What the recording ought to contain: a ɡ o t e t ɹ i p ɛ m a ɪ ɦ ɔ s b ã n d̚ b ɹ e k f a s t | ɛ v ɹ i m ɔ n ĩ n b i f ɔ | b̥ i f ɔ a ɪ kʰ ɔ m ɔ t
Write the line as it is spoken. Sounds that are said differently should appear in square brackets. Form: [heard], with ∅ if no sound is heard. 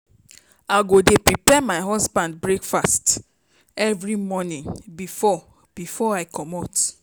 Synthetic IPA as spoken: a ɡ o [d] e [p] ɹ i p ɛ m a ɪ ɦ ɔ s b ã n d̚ b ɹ e k f a s t | ɛ v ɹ i m ɔ n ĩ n b i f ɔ | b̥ i f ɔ a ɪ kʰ ɔ m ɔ t

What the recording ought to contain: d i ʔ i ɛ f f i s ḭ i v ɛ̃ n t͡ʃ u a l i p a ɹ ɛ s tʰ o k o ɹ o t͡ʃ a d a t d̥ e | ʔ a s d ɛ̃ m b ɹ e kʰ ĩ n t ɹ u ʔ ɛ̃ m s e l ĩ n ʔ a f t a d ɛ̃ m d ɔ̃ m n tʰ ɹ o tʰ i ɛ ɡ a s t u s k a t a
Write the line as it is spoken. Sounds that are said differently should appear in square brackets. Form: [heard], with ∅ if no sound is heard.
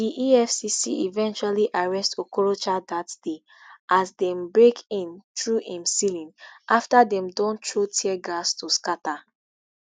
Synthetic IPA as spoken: d i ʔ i ɛ f [s] i s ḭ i v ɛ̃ n t͡ʃ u a l i [ʔ] a ɹ ɛ s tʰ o k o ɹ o t͡ʃ a d a t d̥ e | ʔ a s d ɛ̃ m b ɹ e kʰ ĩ n t ɹ u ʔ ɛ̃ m s [i] l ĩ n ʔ a f t a d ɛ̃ m d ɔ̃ [∅] n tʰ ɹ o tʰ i ɛ ɡ a s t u s k a t a

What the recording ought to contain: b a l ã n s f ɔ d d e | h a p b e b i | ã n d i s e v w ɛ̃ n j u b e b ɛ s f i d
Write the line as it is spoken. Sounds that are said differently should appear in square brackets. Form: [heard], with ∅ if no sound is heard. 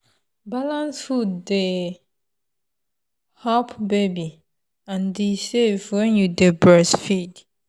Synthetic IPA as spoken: b a l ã n s f [u] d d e | h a p b e b i | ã n d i s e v w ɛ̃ n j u [d] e b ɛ s f i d

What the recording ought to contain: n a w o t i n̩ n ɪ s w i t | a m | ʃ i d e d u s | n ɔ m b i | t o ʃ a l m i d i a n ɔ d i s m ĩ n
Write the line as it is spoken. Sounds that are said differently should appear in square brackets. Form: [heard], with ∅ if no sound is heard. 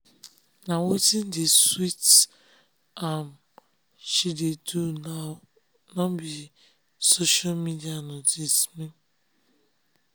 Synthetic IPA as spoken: n a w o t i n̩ [d] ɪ s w i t | a m | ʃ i d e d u [∅] | n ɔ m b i | [s] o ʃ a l m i d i a n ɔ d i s m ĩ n

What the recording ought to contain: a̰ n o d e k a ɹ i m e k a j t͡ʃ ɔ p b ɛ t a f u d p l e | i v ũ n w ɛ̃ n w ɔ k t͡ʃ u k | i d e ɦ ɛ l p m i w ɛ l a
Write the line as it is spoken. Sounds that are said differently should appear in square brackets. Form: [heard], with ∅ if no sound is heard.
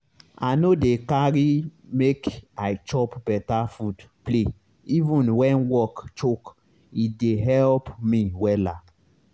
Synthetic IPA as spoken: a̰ n o d e k a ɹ i m e k a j t͡ʃ ɔ p b ɛ t a f u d p l e | i v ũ n w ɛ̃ n w ɔ k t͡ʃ [o] k | i d e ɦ ɛ l p m i w ɛ l a

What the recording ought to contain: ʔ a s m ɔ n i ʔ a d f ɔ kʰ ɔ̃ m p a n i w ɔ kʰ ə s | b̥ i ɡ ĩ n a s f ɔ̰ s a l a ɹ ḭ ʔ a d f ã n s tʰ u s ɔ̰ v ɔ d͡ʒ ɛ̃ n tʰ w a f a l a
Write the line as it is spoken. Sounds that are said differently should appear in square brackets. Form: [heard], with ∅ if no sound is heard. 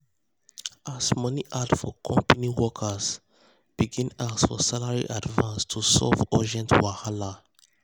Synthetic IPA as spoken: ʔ a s m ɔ n i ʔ a d f ɔ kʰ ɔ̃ m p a n i w ɔ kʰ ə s | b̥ i ɡ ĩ n a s f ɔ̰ s a l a ɹ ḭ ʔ a d [v] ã n s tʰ u s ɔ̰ v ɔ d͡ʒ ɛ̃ n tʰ w a [h] a l a

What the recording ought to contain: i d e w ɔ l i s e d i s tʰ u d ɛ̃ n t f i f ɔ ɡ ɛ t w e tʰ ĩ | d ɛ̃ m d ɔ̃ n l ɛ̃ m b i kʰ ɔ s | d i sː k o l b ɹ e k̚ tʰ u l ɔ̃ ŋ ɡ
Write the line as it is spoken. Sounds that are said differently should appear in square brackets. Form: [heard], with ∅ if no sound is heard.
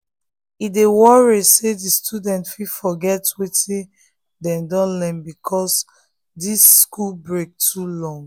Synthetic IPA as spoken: i d e w ɔ [ɹ] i s e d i s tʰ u d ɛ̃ n t f i f ɔ ɡ ɛ t w e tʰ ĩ | d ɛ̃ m d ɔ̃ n l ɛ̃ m b i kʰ ɔ s | d i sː k [u] l b ɹ e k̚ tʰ u l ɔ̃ ŋ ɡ

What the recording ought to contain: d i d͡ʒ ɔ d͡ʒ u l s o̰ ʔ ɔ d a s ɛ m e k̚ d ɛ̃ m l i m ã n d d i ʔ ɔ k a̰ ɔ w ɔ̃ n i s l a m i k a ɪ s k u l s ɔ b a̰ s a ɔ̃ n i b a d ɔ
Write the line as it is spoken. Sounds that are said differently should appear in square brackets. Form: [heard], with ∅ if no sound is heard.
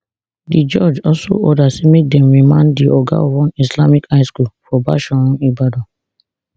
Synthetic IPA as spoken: d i d͡ʒ ɔ d͡ʒ [ɔ] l s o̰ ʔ ɔ d a s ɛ m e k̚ d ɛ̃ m [ɹ] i m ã n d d i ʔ ɔ [ɡ] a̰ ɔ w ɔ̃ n i s l a m i k a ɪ s k u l [f] ɔ b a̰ [ʃ] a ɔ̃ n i b a d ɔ

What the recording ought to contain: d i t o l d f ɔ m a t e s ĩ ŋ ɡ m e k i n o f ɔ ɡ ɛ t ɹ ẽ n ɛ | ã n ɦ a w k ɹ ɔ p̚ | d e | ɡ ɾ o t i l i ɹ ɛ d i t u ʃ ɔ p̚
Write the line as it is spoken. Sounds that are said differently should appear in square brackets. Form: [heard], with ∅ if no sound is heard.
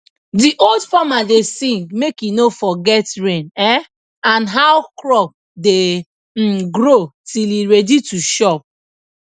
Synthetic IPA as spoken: d i [ʔ] o l d f ɔ m a [d] e s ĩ ŋ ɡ m e k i n o f ɔ ɡ ɛ t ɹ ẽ n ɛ | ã n ɦ a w k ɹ ɔ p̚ | d e | ɡ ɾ o t i l i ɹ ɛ d i t u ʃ ɔ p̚

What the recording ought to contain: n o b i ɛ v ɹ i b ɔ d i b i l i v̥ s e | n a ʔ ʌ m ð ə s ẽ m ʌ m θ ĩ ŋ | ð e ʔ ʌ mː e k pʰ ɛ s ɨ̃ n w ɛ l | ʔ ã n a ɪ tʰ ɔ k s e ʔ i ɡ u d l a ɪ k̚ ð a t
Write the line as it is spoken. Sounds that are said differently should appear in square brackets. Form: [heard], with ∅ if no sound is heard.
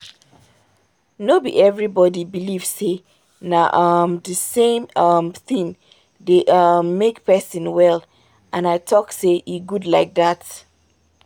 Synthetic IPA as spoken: n o b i ɛ v ɹ i b ɔ d i b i l i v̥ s e | n a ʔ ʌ m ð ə s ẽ m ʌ m θ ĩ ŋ | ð e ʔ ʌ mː e k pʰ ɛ s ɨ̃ n w ɛ l | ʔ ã n a ɪ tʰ ɔ k s e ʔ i ɡ u d l a ɪ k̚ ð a t

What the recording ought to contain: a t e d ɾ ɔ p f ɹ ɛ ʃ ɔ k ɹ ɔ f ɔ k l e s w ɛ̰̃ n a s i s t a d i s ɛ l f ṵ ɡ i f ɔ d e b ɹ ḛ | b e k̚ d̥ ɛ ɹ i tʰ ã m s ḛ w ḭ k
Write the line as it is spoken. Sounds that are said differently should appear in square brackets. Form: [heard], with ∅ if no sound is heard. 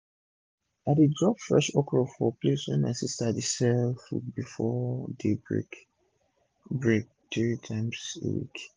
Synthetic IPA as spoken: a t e d [ɹ] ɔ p f ɹ ɛ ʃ ɔ k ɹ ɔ f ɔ [p] l e s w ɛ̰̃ n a s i s t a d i s ɛ l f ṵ [b] i f ɔ d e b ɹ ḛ | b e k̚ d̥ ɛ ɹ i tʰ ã m s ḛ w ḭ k

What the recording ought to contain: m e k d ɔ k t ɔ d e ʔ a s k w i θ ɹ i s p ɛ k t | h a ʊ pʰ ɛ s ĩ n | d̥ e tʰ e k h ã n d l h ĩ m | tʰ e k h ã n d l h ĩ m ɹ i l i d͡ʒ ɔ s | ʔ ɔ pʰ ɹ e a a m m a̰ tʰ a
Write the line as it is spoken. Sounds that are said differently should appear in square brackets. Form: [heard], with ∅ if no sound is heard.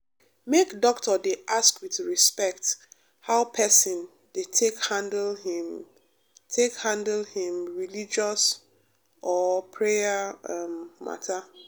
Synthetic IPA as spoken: m e k d ɔ k t ɔ d e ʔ a s k w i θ ɹ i s p ɛ k t | h a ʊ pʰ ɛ s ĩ n | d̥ e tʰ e k h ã n d l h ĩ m | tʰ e k h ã n d l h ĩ m ɹ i l i d͡ʒ ɔ s | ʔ ɔ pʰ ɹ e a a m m a̰ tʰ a

